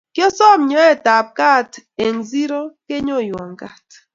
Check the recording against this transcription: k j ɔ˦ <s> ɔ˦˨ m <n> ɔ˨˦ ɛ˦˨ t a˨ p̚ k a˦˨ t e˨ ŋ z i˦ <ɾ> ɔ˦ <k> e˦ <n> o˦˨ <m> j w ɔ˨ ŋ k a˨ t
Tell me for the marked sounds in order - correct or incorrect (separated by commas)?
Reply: correct, incorrect, correct, correct, incorrect, incorrect